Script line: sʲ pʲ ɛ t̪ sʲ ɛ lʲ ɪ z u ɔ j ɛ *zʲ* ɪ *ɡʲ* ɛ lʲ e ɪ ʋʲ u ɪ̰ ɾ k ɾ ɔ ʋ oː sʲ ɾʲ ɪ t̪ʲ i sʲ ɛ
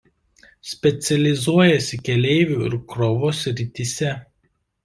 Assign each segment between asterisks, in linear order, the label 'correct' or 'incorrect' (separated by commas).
incorrect, incorrect